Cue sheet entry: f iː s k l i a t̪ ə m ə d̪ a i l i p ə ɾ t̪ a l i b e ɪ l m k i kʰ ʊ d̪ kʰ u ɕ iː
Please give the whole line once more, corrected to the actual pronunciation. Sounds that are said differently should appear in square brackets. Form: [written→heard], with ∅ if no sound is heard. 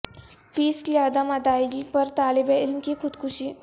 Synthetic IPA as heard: f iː s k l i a [t̪→d̪] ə m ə d̪ a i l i p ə ɾ t̪ a l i b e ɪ l m k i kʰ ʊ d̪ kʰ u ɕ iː